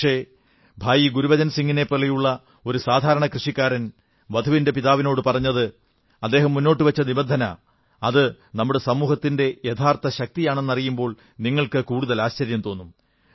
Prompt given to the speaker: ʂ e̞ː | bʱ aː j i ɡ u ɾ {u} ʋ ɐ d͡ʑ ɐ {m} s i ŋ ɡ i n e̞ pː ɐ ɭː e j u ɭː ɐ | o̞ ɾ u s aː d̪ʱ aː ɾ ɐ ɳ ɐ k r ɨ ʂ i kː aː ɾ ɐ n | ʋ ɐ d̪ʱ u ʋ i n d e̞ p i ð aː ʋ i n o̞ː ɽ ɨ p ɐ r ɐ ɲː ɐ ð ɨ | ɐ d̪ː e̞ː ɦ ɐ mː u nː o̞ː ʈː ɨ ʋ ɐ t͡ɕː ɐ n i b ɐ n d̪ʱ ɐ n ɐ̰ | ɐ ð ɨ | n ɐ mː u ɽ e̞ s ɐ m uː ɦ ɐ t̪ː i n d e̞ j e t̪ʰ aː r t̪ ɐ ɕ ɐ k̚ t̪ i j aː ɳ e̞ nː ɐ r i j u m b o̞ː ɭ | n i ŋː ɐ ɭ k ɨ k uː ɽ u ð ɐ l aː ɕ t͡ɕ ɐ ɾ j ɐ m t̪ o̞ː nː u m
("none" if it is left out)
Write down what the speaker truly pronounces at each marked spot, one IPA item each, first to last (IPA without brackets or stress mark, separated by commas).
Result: u, n